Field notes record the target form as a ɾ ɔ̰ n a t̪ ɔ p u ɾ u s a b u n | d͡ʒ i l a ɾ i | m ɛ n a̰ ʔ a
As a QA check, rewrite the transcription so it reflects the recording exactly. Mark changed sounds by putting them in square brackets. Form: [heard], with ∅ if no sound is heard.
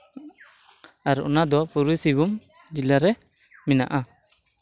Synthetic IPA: a ɾ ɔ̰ n a [d̪] ɔ p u ɾ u s [i] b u [m] | d͡ʒ i l a ɾ [ɛ] | m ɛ n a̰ ʔ a

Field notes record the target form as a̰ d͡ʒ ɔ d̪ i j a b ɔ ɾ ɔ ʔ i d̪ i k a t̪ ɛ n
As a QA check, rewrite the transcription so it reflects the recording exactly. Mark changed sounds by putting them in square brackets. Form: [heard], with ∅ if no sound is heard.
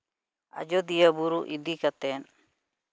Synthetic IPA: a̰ d͡ʒ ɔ d̪ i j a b [u] ɾ [u] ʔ i d̪ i k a t̪ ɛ n

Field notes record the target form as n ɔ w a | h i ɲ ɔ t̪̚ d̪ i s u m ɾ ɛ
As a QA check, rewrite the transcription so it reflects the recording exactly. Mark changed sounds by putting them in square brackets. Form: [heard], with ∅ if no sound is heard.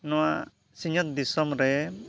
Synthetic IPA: n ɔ w a | [s] i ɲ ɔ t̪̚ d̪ i s [ɔ] m ɾ ɛ

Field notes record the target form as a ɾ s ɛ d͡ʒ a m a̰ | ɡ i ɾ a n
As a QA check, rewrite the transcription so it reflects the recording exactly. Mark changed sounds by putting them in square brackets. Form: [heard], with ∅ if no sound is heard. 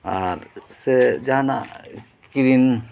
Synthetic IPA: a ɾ s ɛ d͡ʒ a [n] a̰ | [k] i ɾ [i] n

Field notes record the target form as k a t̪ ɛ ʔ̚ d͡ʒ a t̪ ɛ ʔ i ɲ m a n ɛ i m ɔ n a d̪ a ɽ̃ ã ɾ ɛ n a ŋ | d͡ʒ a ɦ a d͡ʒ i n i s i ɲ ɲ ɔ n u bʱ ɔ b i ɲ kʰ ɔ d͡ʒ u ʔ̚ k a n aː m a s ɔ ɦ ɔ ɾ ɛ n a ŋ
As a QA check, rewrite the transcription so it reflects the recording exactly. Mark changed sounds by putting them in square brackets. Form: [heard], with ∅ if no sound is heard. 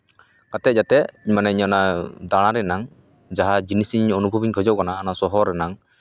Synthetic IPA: k a t̪ ɛ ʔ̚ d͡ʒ a t̪ ɛ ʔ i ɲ m a n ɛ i [ɲ] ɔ n a d̪ a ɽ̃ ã ɾ ɛ n a ŋ | d͡ʒ a ɦ a d͡ʒ i n i s i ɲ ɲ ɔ n u bʱ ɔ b i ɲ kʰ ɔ d͡ʒ [ɔ] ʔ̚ k a n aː [n] a s ɔ ɦ ɔ ɾ ɛ n a ŋ

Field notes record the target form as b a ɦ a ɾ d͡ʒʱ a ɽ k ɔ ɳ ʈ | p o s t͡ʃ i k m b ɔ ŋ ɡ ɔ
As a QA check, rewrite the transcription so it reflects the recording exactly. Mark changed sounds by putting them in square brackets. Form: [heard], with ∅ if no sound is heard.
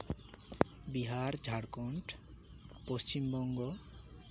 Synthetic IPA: b [i] ɦ a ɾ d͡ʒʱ a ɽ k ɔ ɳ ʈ | p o s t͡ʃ i [∅] m b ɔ ŋ ɡ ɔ

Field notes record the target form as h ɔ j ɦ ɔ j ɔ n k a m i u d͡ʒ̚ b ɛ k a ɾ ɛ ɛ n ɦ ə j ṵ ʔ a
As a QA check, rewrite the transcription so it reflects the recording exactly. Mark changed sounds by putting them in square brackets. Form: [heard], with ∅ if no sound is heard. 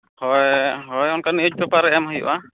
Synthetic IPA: h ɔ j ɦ ɔ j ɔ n k a [n] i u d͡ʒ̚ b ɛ [p] a ɾ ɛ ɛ [m] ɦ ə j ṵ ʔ a

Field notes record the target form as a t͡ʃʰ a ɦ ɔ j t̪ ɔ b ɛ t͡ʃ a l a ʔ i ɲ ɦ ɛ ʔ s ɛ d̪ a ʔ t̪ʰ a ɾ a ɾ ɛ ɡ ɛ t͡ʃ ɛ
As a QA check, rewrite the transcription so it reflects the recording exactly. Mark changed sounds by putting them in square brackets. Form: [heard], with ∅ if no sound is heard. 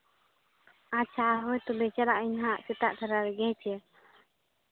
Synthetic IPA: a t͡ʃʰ a ɦ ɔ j t̪ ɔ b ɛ t͡ʃ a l a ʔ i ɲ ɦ [a] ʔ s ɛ [t̪] a ʔ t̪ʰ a ɾ a ɾ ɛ ɡ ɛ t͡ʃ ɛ

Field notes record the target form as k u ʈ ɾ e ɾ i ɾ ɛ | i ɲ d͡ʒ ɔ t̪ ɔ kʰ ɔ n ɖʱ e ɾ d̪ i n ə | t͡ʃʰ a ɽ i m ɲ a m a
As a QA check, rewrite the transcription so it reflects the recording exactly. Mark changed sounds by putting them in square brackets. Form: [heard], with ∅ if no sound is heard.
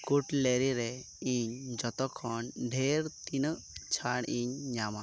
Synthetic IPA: k u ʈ [l] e ɾ i ɾ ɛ | i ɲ d͡ʒ ɔ t̪ ɔ kʰ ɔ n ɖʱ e ɾ [t̪] i n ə | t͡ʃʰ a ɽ i [ɲ] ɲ a m a

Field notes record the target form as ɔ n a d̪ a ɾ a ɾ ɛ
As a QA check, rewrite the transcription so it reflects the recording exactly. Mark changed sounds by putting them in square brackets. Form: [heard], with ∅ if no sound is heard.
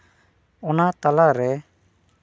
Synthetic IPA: ɔ n a [t̪] a [l] a ɾ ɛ

